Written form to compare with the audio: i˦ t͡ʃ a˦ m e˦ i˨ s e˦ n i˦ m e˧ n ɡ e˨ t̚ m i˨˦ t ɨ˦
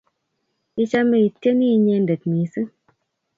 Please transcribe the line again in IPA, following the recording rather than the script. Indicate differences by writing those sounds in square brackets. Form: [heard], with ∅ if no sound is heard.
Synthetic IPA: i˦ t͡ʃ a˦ m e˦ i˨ [t] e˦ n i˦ [ɲ] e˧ n [d] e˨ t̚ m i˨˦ [s] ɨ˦